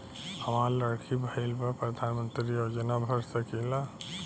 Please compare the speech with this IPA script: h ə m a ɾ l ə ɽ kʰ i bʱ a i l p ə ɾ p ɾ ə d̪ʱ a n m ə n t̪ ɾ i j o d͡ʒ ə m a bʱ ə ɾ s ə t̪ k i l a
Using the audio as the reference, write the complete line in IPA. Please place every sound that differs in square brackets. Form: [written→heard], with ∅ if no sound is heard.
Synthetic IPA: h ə m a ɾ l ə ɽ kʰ i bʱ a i l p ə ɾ p ɾ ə d̪ʱ a n m ə n t̪ ɾ i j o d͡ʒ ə [m→n] a bʱ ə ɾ s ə [t̪→∅] k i l a